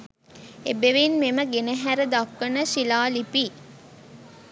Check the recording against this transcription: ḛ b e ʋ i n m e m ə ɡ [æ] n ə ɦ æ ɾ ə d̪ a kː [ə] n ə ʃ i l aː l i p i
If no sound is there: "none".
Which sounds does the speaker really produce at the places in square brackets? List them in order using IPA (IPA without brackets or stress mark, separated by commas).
e, ə